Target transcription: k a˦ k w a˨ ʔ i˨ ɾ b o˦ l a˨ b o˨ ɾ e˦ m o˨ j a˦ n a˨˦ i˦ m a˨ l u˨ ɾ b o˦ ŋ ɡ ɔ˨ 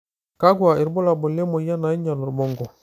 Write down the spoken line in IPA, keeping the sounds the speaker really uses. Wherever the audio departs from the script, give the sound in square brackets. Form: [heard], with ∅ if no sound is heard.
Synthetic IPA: k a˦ [ɡ] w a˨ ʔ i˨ ɾ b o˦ l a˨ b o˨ [l] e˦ m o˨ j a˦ n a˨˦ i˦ [ɲ] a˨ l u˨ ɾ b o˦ ŋ ɡ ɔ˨